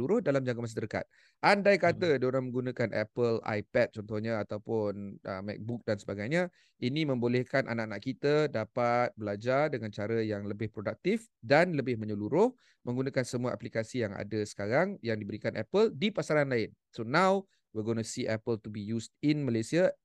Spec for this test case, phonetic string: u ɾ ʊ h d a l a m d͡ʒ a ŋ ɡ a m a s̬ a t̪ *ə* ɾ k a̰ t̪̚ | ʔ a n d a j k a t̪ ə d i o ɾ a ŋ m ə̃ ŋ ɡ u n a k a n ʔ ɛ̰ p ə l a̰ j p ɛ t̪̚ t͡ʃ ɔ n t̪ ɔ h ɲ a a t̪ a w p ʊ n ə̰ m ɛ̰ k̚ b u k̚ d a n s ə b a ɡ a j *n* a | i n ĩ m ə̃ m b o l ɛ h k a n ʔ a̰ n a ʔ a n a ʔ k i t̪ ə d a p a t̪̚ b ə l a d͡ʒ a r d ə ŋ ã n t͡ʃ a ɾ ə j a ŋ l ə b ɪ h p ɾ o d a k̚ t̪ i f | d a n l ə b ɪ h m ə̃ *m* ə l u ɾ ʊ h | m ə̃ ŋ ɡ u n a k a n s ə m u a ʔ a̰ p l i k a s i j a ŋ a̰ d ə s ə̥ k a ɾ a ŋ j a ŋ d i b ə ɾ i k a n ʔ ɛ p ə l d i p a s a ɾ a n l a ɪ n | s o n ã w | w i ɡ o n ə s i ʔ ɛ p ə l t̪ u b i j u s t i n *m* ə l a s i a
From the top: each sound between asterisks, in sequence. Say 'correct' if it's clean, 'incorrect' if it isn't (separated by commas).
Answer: correct, incorrect, incorrect, correct